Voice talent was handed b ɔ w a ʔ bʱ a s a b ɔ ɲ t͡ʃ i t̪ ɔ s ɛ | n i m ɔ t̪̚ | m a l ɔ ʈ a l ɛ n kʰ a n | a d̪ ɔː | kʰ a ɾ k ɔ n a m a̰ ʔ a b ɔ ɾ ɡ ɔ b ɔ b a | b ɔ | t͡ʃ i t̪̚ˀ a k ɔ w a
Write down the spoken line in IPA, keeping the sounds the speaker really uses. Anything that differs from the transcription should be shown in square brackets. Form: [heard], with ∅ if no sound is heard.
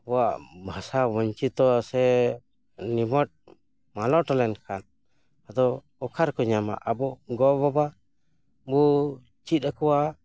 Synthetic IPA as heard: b ɔ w a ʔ bʱ a s a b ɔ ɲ t͡ʃ i t̪ ɔ s ɛ | n i m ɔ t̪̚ | m a l ɔ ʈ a l ɛ n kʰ a n | a d̪ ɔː | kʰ a ɾ k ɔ [ɲ] a m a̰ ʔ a b ɔ [∅] ɡ ɔ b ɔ b a | b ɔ | t͡ʃ i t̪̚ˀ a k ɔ w a